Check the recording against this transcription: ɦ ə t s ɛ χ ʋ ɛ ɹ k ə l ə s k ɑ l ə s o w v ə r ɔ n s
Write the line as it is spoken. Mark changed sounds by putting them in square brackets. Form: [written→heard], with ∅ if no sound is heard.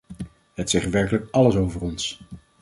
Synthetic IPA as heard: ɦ ə t s ɛ χ ʋ ɛ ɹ k ə l ə [s→∅] k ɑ l ə s o w v ə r ɔ n s